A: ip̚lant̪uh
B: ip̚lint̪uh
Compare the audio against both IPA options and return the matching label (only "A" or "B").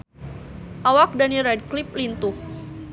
B